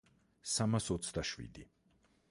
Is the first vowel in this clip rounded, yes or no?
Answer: no